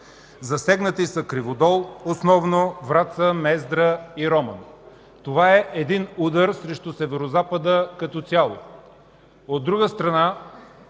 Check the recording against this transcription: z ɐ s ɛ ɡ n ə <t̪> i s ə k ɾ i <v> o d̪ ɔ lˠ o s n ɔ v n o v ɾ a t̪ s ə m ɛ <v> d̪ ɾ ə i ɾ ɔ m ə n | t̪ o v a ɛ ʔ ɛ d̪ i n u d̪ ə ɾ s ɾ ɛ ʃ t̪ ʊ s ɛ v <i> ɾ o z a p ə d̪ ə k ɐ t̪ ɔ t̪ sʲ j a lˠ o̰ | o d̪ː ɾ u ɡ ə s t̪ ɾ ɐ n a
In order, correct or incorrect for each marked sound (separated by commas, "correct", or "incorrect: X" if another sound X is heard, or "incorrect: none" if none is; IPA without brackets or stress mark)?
correct, correct, incorrect: z, incorrect: ɛ